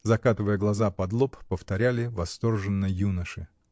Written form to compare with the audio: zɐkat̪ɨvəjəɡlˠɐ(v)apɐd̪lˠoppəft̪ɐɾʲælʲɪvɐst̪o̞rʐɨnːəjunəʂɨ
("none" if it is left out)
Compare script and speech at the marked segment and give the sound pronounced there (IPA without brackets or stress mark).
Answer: z